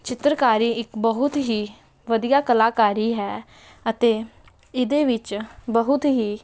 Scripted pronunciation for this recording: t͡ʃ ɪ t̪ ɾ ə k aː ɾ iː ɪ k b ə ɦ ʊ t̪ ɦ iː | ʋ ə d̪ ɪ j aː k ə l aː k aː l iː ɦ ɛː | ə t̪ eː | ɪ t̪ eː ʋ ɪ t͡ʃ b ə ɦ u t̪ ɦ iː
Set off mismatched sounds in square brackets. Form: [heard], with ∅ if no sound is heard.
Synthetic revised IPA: t͡ʃ ɪ t̪ ɾ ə k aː ɾ iː ɪ k b ə ɦ ʊ t̪ ɦ iː | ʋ ə d̪ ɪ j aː k ə l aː k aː [ɾ] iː ɦ ɛː | ə t̪ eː | ɪ [d̪] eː ʋ ɪ t͡ʃ b ə ɦ [ʊ] t̪ ɦ iː